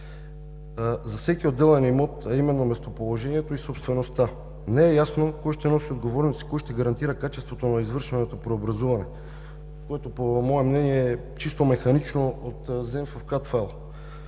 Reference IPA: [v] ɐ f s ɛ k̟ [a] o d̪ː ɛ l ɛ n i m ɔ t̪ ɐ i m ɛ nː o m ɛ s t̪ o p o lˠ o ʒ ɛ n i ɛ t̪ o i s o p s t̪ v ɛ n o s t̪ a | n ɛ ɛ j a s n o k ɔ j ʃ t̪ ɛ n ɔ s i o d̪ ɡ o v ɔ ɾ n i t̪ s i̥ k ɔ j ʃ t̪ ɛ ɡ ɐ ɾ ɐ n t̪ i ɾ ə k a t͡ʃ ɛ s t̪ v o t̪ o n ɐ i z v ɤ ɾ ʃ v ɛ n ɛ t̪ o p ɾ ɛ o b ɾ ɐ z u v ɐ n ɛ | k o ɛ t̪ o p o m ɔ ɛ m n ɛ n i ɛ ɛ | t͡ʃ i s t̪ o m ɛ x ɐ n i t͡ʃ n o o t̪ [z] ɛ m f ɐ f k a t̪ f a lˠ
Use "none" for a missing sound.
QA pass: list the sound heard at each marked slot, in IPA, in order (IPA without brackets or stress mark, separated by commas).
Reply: z, i, z